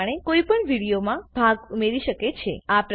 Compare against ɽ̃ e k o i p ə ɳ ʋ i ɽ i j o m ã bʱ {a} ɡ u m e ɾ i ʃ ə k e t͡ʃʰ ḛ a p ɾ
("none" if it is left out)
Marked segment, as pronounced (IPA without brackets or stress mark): a